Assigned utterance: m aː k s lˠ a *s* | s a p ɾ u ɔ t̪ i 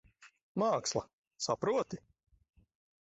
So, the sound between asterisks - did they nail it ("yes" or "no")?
no